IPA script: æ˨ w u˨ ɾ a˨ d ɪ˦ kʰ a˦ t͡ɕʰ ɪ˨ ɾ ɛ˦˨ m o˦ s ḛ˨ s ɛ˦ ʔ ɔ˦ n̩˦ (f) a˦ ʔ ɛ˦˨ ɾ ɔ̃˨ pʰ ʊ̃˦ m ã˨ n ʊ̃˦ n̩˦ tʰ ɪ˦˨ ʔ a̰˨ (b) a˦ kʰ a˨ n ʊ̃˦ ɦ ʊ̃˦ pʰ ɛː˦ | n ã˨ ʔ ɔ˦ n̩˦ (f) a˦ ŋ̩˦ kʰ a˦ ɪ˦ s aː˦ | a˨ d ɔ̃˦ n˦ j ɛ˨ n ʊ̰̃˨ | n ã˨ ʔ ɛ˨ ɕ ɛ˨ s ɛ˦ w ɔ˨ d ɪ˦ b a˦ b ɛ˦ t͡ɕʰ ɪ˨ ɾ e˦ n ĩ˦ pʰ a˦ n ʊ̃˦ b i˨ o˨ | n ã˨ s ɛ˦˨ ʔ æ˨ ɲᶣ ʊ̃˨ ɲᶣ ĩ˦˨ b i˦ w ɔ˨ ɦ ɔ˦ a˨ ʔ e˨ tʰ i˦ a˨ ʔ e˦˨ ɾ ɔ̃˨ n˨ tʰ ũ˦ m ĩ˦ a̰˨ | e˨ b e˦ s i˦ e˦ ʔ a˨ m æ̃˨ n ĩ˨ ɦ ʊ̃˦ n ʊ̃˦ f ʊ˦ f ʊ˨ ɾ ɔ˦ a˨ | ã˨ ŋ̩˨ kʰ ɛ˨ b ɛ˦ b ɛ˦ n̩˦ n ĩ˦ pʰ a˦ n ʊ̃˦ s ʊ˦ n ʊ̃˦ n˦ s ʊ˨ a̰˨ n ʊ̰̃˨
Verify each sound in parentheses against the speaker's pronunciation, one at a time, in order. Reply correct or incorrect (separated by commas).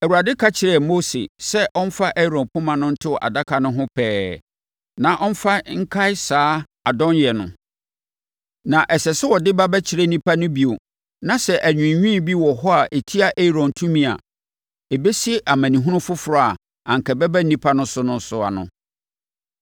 correct, incorrect, correct